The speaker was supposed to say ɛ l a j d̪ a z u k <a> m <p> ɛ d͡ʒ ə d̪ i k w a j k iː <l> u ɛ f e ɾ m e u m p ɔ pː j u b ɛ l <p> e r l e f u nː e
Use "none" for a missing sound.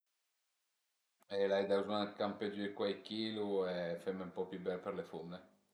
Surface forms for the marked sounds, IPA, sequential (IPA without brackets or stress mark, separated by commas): a, p, l, p